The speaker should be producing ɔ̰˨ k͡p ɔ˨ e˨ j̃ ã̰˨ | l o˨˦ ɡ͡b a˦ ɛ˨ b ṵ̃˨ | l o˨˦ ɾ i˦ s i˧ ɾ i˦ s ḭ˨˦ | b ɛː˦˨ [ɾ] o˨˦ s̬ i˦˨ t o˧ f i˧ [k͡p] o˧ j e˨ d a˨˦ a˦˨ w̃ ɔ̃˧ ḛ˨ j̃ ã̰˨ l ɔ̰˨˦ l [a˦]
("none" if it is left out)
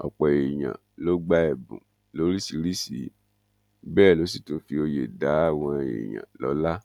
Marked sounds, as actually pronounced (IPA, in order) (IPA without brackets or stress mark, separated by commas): l, none, a˦